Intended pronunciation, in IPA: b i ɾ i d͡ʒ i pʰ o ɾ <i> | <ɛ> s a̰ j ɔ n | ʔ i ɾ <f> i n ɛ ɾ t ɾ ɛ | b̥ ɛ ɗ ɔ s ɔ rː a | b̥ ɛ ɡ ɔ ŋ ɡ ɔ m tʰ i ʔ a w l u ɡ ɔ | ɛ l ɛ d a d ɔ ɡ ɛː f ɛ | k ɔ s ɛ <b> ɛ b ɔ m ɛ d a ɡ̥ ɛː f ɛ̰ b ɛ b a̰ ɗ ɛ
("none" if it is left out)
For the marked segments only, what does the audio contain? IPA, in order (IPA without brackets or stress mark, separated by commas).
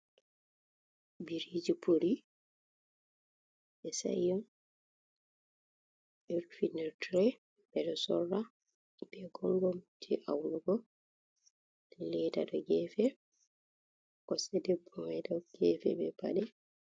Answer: i, ɛ, f, d